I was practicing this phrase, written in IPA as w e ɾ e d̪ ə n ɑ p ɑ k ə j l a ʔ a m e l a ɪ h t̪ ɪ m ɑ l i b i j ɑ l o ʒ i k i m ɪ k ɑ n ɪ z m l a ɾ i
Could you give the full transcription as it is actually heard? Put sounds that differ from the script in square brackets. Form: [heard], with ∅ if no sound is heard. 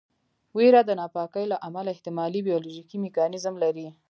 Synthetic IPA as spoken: w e ɾ [a] d̪ ə n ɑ p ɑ k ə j l a ʔ a m [a] l a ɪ h t̪ ɪ m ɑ l i b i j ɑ l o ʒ i k i m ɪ k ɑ n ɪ z m l a ɾ i

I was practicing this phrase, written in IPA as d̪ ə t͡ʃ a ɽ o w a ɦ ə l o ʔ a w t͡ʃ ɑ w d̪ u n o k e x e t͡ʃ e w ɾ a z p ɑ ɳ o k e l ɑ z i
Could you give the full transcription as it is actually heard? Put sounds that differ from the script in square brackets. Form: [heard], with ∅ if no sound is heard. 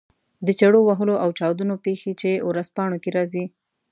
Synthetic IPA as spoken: d̪ ə t͡ʃ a ɽ o w a ɦ ə l o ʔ a w t͡ʃ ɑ w d̪ u n o [p] e x e t͡ʃ e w ɾ a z p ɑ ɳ o k e [ɾ] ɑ z i

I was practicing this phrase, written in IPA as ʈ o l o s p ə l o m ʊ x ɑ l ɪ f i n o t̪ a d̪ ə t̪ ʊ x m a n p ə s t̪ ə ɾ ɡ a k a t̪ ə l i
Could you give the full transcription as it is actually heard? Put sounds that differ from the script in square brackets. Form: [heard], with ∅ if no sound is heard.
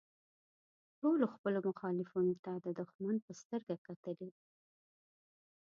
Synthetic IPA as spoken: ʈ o l o [x] p ə l o m ʊ x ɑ l ɪ f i n o t̪ a d̪ ə [d̪] ʊ x m a n p ə s t̪ ə ɾ ɡ a k a t̪ ə l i

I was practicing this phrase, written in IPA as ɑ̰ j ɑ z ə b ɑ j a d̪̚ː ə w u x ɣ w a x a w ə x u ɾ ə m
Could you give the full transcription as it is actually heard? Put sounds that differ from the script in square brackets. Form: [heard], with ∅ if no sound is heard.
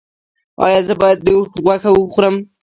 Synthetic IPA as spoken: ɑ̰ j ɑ z ə b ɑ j a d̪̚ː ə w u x ɣ w a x a w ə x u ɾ ə m

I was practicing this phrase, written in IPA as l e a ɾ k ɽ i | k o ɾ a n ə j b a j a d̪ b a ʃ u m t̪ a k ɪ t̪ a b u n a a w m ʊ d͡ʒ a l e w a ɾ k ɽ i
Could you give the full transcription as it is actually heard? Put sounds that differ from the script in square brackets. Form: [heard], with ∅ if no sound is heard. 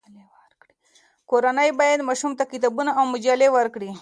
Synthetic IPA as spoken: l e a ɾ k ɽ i | k o ɾ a n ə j b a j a d̪ [m] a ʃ u m t̪ a k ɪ t̪ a b u n a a w m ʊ d͡ʒ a l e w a ɾ k ɽ i

